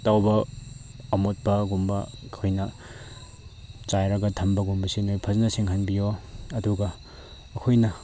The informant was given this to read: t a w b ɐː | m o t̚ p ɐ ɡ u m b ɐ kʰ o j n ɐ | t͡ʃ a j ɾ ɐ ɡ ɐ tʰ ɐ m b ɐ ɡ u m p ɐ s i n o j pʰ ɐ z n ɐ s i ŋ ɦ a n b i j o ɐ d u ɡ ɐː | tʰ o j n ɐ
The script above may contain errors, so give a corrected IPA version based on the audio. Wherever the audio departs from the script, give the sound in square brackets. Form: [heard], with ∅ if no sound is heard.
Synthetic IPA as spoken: t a w b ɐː | m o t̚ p ɐ ɡ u m b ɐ kʰ o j n ɐ | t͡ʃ a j ɾ ɐ ɡ ɐ tʰ ɐ m b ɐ ɡ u m [b] ɐ s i n o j pʰ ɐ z n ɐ s i ŋ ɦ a n b i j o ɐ d u ɡ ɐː | [kʰ] o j n ɐ